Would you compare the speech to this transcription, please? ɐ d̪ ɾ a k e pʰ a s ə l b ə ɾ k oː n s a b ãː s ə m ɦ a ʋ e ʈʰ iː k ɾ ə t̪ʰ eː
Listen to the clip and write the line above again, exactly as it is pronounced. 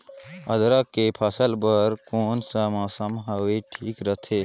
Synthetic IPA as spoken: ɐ d̪ ɾ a k e pʰ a s ə l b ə ɾ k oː n s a m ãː s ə m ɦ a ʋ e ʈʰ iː k ɾ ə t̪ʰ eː